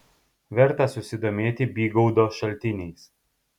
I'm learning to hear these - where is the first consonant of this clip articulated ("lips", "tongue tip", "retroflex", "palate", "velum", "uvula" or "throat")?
lips